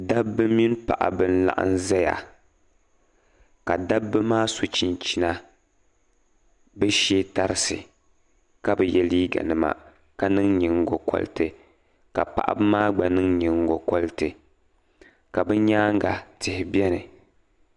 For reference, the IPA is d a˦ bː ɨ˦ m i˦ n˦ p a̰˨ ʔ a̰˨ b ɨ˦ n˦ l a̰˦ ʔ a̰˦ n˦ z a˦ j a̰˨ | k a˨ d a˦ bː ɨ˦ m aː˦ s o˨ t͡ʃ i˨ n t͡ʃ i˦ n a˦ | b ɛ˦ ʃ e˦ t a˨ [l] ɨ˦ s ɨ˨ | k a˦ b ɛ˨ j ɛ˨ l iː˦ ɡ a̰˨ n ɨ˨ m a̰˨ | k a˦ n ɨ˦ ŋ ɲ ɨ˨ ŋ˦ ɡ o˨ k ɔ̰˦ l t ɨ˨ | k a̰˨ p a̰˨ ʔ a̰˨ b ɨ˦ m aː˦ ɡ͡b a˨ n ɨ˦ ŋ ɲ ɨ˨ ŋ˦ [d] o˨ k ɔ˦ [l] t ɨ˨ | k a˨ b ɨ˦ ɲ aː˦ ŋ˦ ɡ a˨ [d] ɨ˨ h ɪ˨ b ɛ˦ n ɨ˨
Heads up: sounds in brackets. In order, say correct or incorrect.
incorrect: ɾ, incorrect: ɡ, correct, incorrect: t

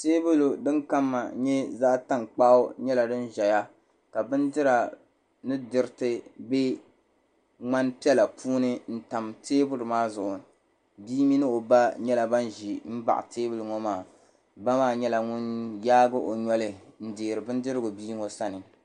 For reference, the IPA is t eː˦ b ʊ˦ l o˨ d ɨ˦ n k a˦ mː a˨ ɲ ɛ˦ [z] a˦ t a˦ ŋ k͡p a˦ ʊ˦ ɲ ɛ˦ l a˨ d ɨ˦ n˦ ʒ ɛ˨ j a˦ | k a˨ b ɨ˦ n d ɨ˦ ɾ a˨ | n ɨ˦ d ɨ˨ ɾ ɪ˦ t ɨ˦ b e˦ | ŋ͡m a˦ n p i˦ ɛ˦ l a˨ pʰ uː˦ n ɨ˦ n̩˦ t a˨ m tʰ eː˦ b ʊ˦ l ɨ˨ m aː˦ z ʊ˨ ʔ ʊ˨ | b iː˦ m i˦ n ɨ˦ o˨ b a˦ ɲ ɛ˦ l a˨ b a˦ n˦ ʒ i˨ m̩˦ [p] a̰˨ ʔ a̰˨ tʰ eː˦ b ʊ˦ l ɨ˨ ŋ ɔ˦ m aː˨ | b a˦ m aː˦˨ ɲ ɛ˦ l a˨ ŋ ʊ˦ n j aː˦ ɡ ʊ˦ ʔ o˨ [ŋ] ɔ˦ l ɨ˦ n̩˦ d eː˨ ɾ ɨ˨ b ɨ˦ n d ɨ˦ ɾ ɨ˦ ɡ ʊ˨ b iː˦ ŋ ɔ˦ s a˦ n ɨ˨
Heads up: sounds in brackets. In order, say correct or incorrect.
correct, incorrect: b, incorrect: ɲ

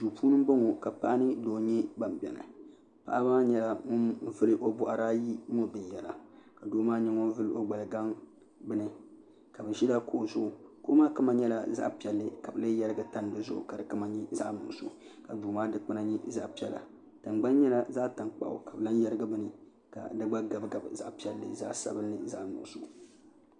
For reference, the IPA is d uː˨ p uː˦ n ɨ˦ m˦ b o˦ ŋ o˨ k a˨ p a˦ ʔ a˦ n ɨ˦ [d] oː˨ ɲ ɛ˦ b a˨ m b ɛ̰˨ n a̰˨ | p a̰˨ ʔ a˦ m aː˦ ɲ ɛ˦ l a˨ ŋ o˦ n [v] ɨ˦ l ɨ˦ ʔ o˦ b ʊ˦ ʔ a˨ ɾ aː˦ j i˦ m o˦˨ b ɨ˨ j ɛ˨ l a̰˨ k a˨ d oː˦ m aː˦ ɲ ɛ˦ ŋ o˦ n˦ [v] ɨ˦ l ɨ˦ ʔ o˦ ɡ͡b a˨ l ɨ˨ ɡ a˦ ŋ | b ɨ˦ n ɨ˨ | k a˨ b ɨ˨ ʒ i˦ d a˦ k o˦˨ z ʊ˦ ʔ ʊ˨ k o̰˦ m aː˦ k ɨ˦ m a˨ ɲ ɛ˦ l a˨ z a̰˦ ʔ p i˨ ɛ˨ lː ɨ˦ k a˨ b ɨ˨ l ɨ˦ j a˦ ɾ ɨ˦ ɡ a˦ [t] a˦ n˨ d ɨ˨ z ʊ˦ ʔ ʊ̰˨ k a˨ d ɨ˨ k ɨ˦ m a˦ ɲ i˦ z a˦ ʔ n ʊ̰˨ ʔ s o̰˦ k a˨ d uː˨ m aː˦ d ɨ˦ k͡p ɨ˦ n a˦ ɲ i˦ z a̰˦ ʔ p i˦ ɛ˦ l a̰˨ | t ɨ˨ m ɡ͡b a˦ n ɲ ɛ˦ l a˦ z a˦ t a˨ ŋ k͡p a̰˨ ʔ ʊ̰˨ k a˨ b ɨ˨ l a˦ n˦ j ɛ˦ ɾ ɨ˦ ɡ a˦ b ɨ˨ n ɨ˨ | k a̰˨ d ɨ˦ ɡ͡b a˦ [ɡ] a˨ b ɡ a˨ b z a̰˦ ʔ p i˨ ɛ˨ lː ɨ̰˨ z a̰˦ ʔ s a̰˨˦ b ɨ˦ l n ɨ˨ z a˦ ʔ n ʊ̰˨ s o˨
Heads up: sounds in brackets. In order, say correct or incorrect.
correct, correct, correct, correct, correct

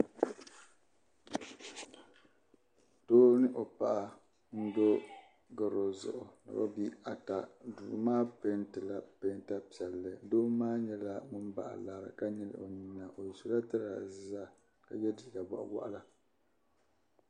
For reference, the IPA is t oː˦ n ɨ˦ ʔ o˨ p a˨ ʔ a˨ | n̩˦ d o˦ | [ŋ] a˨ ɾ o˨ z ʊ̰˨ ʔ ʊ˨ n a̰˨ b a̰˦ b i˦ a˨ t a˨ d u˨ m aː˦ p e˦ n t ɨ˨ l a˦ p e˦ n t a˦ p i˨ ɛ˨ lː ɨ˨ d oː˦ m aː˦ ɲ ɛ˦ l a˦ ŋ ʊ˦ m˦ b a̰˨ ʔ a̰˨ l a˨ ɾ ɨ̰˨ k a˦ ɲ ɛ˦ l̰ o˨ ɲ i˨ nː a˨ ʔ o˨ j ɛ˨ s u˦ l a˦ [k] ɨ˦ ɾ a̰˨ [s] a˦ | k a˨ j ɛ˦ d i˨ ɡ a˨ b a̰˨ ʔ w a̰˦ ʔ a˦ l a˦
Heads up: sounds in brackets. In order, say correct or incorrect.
incorrect: ɡ, incorrect: t, incorrect: z

